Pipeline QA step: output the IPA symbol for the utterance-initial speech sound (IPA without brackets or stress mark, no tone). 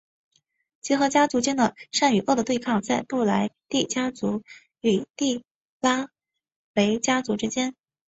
t͡ɕ